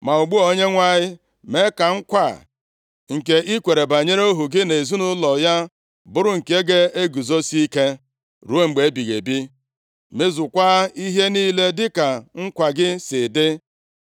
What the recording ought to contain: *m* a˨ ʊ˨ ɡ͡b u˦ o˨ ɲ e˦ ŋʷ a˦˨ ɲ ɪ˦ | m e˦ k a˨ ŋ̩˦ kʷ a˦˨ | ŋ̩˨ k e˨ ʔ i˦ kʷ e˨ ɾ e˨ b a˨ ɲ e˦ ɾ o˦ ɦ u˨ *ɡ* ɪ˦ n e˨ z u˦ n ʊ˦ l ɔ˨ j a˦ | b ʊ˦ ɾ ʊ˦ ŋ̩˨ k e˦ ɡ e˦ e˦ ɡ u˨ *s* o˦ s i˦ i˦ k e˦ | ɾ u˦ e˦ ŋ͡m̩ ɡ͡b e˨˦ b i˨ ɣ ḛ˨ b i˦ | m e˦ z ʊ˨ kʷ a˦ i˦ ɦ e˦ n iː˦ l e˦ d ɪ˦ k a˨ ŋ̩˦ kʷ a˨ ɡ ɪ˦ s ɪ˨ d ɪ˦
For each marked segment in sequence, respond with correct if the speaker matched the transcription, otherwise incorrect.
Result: correct, correct, incorrect

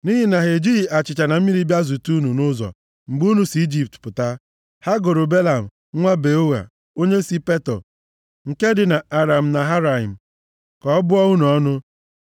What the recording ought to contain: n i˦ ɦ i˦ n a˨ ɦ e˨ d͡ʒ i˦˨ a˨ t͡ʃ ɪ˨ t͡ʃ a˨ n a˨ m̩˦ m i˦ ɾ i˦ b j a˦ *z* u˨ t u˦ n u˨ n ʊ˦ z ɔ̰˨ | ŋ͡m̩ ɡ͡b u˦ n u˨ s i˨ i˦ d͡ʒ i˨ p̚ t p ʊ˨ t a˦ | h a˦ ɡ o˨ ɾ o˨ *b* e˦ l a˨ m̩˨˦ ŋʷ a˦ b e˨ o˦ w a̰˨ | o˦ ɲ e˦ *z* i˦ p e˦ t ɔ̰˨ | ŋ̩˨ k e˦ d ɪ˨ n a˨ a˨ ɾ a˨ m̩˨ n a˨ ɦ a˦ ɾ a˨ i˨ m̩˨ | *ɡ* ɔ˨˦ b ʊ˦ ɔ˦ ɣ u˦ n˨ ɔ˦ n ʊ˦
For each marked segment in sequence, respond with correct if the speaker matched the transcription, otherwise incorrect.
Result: correct, correct, incorrect, incorrect

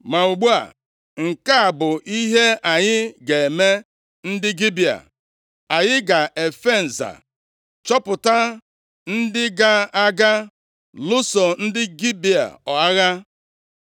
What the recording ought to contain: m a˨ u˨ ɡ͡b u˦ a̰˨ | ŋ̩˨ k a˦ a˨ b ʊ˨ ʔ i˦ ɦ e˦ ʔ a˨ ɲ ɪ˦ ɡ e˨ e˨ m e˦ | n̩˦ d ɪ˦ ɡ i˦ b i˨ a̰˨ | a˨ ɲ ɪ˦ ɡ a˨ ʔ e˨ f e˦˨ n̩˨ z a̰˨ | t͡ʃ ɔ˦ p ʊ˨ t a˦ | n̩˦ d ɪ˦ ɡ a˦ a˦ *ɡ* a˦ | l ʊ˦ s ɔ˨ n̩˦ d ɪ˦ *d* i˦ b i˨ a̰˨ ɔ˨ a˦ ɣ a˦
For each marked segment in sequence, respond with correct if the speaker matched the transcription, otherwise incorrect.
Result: correct, incorrect

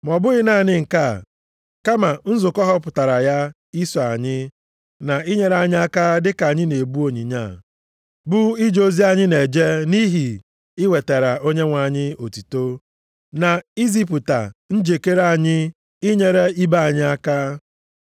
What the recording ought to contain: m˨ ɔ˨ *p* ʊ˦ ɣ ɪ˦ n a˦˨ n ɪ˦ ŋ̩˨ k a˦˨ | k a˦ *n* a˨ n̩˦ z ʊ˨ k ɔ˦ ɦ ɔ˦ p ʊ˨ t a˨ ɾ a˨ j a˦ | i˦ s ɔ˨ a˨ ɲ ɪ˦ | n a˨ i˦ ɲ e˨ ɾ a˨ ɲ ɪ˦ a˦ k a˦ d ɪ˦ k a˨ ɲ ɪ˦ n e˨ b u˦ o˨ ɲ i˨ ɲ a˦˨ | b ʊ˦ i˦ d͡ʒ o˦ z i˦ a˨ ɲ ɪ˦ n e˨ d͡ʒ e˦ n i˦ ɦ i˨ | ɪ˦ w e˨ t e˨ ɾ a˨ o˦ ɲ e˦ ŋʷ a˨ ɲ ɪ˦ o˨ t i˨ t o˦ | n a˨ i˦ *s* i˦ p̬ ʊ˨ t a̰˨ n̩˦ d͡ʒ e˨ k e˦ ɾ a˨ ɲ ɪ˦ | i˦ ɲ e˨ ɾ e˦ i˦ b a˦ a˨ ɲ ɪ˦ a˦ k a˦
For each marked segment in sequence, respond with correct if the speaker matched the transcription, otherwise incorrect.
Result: incorrect, incorrect, incorrect

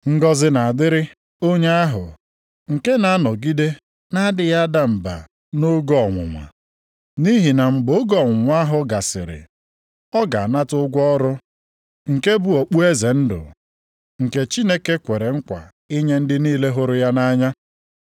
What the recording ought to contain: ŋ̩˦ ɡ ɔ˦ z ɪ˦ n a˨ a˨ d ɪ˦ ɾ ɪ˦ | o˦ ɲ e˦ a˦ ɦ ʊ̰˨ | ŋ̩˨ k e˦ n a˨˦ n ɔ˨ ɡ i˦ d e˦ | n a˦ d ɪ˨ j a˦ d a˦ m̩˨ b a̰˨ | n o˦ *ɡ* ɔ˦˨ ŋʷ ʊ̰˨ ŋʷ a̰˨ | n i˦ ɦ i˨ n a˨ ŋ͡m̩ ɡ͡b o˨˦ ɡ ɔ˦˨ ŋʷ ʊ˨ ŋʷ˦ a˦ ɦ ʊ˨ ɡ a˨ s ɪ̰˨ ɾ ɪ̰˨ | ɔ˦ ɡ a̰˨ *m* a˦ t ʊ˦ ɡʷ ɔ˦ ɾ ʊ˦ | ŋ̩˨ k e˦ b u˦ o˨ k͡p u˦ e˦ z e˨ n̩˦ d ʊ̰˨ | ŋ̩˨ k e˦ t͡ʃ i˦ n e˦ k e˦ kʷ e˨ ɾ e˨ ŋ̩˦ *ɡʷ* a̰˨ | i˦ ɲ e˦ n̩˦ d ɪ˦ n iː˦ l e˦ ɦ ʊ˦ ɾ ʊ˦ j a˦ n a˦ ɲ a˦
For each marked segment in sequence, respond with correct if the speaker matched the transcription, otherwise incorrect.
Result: correct, incorrect, incorrect

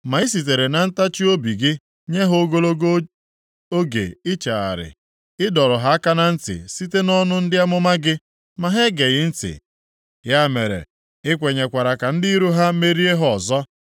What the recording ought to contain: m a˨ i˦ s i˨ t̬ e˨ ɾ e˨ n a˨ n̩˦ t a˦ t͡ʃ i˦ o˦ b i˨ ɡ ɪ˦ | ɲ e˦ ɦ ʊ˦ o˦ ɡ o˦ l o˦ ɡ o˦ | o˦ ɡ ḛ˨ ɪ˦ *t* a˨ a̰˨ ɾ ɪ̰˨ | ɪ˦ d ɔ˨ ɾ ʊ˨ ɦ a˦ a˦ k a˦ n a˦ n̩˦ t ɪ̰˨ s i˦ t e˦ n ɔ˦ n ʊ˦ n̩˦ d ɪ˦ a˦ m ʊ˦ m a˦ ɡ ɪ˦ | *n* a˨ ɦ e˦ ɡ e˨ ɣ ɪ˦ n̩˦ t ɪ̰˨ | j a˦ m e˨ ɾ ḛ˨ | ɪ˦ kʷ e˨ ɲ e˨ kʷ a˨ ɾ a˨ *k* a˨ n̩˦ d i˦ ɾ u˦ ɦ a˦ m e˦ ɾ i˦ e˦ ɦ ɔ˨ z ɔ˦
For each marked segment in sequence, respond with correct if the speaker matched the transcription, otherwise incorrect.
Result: incorrect, incorrect, correct

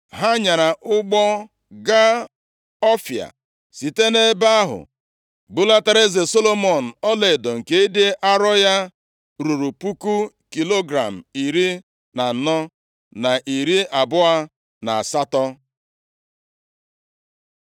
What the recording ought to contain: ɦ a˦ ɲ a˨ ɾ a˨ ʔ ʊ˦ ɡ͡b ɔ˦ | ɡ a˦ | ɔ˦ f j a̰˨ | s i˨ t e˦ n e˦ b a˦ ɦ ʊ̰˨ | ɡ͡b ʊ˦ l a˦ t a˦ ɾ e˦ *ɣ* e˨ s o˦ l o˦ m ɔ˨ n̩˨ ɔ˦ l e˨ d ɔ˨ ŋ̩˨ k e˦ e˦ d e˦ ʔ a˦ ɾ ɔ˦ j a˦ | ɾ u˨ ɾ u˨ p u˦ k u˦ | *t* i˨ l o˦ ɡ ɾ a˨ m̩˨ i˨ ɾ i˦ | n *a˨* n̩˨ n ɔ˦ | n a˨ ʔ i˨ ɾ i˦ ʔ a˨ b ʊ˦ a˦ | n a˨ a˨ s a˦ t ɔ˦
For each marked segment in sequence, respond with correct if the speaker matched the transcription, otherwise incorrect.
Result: incorrect, incorrect, correct

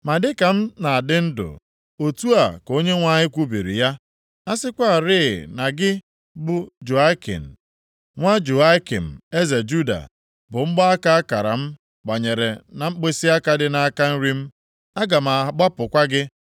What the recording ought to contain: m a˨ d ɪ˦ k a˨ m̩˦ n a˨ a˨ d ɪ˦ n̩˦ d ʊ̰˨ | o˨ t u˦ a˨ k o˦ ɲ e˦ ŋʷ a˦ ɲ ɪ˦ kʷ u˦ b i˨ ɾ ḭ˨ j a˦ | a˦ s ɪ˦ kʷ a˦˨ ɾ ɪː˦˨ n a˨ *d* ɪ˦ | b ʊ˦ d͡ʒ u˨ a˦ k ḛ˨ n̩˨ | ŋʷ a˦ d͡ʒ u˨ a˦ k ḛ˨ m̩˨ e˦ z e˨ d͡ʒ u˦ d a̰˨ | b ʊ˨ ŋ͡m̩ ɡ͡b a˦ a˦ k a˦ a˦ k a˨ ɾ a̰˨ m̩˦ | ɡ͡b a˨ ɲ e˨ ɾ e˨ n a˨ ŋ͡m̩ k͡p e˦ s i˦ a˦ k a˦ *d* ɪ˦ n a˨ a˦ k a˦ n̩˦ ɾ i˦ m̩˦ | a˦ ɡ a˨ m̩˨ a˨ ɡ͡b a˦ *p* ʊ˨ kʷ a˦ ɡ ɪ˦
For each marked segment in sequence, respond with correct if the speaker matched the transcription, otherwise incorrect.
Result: incorrect, correct, correct

